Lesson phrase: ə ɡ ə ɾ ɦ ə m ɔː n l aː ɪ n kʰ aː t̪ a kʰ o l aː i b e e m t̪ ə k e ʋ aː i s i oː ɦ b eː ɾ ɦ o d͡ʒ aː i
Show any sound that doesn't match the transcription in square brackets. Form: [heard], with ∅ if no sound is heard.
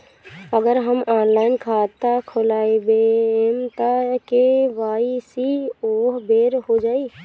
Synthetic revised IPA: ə ɡ ə ɾ ɦ ə m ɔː n l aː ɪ n kʰ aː t̪ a kʰ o l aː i b e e m t̪ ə k e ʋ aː i s i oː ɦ b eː ɾ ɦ o d͡ʒ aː i